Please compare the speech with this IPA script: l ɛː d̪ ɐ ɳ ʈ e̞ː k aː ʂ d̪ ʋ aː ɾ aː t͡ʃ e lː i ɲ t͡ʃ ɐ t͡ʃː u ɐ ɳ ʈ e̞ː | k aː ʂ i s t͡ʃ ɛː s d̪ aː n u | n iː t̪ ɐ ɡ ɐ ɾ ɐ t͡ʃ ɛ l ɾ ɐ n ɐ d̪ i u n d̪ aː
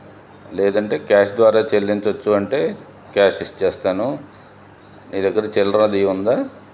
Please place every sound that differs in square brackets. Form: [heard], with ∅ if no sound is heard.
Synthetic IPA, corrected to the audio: l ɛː d̪ ɐ ɳ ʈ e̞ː k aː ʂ d̪ ʋ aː ɾ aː t͡ʃ e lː i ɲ t͡ʃ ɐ t͡ʃː u ɐ ɳ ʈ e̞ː | k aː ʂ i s t͡ʃ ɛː s [t̪] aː n u | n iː [d̪] ɐ [ɡː] ɐ ɾ ɐ t͡ʃ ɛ l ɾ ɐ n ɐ d̪ i u n d̪ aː